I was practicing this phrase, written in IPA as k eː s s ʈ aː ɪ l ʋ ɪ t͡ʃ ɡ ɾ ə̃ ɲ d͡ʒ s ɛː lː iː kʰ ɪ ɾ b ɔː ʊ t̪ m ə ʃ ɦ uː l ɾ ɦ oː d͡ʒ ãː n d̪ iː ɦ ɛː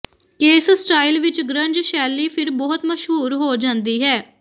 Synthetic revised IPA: k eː s s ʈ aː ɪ l ʋ ɪ t͡ʃ ɡ ɾ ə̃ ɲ d͡ʒ ʃ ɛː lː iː pʰ ɪ ɾ b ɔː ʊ t̪ m ə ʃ ɦ uː ɾ ɦ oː d͡ʒ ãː n d̪ iː ɦ ɛː